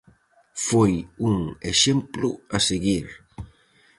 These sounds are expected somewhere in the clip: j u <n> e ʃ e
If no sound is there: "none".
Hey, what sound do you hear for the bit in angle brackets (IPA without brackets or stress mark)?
ŋ